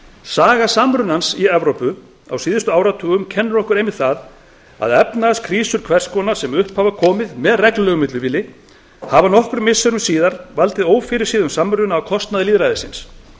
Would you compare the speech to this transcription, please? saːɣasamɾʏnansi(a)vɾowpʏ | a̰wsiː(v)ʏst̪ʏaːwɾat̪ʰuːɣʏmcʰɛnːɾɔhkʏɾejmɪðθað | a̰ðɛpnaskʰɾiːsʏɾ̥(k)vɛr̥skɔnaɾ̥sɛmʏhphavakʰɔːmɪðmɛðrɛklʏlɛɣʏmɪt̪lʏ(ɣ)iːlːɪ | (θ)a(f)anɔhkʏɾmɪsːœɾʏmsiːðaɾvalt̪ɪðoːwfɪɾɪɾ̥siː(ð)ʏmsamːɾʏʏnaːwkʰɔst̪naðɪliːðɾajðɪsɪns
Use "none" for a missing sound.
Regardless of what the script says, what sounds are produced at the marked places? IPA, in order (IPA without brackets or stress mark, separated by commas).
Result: ɛ, ð, kʰ, v, h, v, ð